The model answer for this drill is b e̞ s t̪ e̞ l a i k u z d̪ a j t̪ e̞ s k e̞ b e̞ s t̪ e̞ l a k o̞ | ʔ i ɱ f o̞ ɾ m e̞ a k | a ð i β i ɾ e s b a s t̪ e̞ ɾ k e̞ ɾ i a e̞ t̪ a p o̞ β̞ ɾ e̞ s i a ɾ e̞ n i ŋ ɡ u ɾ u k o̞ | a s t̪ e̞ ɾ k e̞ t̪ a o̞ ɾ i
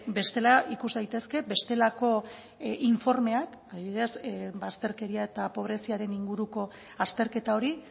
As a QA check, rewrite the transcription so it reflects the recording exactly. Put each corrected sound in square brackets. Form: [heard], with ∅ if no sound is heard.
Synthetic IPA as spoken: b e̞ s t̪ e̞ l a i k u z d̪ a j t̪ e̞ s k e̞ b e̞ s t̪ e̞ l a k o̞ | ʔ i ɱ f o̞ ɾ m e̞ a k | a ð i β i ɾ e s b a s t̪ e̞ ɾ k e̞ ɾ i a e̞ t̪ a p o̞ β̞ ɾ e̞ s i a ɾ e̞ n i ŋ ɡ u ɾ u k o̞ | a s t̪ e̞ ɾ k e̞ t̪ a o̞ ɾ i